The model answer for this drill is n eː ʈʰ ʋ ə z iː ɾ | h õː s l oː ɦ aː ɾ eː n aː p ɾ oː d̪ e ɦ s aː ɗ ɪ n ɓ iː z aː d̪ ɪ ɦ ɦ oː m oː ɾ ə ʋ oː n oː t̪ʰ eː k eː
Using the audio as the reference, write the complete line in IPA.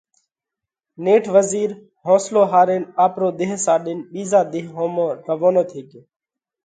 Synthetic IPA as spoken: n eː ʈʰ ʋ ə z iː ɾ | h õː s l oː ɦ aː ɾ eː n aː p ɾ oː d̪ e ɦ s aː ɗ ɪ n ɓ iː z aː d̪ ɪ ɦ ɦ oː m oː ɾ ə ʋ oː n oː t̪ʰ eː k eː